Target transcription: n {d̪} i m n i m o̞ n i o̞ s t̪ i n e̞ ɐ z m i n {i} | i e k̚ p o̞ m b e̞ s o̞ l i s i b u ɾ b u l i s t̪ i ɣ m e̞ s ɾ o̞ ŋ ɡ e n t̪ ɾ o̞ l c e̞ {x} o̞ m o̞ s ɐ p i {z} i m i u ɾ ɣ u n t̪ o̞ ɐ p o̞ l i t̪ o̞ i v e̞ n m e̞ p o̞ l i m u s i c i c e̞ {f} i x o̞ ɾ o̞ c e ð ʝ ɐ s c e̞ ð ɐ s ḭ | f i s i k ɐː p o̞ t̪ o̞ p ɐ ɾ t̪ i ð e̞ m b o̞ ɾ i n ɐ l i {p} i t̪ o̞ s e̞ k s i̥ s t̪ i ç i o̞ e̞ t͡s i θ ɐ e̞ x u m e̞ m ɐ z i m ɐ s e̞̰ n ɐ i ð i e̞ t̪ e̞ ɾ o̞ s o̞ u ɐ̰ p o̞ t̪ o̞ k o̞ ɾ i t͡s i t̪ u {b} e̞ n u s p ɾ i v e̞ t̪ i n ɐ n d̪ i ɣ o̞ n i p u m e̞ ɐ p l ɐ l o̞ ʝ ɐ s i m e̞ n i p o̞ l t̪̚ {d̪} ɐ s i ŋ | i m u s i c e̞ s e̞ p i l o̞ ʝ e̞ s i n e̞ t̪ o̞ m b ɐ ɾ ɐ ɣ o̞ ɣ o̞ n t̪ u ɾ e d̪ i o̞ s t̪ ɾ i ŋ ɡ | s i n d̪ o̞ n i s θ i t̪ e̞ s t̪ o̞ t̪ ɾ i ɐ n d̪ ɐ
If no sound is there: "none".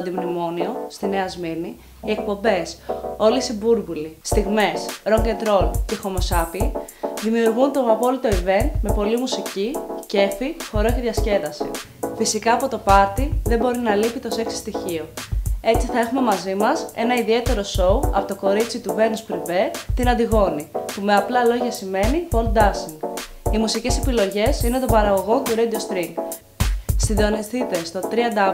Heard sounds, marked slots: d̪, i, x, ð, f, p, v, d̪

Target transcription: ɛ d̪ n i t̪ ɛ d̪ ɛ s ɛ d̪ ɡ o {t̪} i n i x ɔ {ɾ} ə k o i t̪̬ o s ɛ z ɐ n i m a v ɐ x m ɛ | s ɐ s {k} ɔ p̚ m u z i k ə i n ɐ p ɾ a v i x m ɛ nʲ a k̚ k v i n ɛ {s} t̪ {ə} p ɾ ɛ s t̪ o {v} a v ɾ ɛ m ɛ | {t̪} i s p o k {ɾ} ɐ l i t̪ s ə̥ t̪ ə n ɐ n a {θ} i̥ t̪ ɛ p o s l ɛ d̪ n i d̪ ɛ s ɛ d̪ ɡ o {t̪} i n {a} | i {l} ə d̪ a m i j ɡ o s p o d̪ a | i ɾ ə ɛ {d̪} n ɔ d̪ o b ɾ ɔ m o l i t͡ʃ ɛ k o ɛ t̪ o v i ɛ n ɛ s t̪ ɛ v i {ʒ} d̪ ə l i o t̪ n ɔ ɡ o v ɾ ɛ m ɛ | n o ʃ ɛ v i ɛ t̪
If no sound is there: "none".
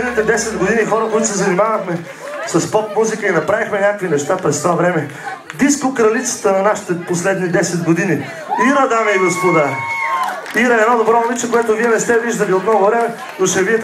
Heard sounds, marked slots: d̪, ɾ, p, ʃ, a, v, d̪, ɾ, ʃ, d̪, i, ɾ, d̪, ʒ

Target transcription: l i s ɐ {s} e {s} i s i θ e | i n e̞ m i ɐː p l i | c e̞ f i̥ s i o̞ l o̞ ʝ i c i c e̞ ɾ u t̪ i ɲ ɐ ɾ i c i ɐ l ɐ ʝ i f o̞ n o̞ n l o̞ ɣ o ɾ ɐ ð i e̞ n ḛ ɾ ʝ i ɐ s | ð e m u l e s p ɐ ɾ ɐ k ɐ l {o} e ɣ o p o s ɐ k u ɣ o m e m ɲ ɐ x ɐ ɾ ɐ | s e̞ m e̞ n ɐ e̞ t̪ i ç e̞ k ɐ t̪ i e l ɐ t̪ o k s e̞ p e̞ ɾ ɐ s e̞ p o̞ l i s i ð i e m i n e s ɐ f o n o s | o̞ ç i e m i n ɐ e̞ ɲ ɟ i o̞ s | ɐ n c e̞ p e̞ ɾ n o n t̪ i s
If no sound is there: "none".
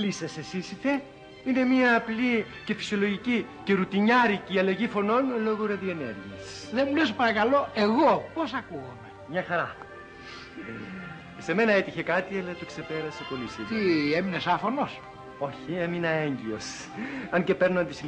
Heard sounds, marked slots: s, s, o

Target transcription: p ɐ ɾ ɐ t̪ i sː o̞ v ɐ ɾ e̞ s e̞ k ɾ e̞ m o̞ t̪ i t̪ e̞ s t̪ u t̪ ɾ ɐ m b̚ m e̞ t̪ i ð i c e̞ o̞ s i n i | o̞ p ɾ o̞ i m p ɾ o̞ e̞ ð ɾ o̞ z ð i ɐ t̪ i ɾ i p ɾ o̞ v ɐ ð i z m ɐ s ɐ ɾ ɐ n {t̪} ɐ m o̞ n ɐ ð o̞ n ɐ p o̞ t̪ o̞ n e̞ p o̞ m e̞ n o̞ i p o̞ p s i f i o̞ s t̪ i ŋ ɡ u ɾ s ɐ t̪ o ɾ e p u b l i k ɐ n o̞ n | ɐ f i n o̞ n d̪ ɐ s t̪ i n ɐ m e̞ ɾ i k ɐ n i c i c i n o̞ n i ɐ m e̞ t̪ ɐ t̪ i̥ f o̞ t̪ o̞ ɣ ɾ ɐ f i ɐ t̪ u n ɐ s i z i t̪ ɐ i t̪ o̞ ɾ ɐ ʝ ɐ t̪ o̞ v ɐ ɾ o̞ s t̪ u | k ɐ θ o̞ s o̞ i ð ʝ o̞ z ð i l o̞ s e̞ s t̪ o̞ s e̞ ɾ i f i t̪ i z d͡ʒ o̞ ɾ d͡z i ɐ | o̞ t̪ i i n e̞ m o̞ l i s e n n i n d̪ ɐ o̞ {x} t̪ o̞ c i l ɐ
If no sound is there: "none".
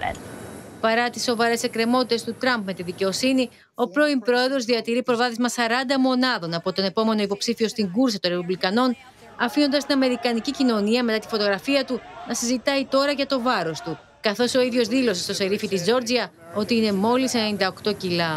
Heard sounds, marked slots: d̪, k

